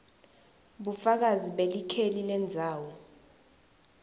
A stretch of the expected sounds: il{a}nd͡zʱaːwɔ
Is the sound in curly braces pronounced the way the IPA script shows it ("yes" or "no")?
no